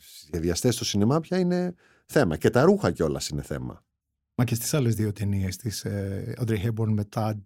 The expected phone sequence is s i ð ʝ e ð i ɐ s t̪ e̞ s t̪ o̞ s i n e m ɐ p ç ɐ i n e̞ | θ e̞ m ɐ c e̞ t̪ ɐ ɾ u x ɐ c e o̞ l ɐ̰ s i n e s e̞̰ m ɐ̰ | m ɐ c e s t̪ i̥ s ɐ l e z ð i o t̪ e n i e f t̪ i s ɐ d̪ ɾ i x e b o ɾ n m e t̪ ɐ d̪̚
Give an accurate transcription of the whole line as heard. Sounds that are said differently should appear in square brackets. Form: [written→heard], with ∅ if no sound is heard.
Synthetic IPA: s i [ð→z] ʝ e ð i ɐ s t̪ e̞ s t̪ o̞ s i n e m ɐ p ç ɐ i n e̞ | θ e̞ m ɐ c e̞ t̪ ɐ ɾ u x ɐ c e o̞ l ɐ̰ s i n e [s→θ] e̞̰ m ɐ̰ | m ɐ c e s t̪ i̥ s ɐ l e z ð i o t̪ e n i e [f→s] t̪ i s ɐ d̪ ɾ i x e b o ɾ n m e t̪ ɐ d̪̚